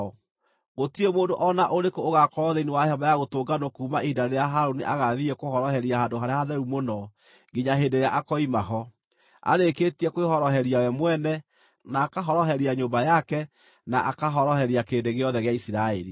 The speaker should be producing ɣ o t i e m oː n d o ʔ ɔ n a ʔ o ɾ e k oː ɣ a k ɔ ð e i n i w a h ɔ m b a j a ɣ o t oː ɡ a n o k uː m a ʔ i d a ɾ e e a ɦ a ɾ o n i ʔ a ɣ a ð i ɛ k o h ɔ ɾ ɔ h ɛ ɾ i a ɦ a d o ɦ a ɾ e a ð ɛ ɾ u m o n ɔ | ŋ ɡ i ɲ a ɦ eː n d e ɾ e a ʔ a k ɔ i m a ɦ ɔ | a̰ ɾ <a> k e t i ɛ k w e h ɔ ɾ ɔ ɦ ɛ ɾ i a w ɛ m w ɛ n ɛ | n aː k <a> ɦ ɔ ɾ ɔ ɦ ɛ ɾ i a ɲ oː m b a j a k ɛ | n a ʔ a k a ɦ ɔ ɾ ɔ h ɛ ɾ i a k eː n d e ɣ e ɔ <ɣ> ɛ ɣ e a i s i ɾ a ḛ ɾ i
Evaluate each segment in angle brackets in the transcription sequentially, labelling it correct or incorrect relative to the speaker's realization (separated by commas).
incorrect, correct, incorrect